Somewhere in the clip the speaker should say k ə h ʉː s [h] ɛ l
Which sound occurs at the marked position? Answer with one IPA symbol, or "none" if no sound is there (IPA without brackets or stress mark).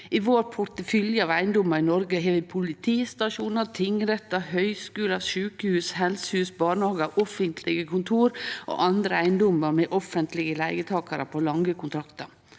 h